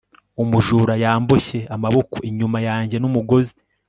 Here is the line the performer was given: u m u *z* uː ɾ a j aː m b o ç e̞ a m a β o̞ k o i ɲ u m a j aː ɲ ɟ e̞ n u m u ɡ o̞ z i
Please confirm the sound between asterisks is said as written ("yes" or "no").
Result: no